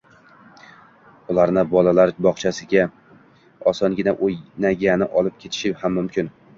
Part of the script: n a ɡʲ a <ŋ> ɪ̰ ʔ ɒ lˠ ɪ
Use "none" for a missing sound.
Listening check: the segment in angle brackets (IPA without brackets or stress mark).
n